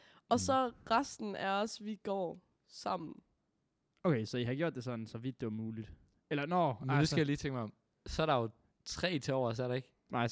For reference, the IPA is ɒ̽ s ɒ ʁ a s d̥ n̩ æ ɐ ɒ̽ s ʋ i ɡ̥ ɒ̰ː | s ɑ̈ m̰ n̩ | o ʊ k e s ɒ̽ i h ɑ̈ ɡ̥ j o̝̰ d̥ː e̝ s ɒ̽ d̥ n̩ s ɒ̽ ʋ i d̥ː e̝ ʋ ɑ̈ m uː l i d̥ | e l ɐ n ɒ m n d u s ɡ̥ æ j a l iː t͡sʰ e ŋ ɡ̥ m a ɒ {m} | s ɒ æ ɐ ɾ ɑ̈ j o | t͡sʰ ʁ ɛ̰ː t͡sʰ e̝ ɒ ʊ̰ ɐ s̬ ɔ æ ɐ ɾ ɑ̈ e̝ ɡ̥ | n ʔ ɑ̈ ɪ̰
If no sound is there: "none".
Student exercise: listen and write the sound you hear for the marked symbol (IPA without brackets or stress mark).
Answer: m